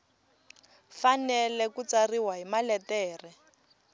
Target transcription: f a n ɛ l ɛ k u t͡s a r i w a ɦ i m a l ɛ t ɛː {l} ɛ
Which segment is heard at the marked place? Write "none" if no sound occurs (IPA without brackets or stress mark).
r